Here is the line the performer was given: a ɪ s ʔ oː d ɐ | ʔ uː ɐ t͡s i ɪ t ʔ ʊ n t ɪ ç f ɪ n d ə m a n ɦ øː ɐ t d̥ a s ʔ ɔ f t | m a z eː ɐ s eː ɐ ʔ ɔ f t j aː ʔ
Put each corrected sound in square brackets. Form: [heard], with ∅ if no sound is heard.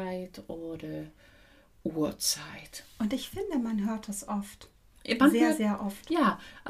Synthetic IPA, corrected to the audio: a ɪ [t] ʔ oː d ɐ | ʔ uː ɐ t͡s [a] ɪ t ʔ ʊ n t ɪ ç f ɪ n d ə m a n ɦ øː ɐ t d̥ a s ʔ ɔ f t | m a z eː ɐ [z] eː ɐ ʔ ɔ f t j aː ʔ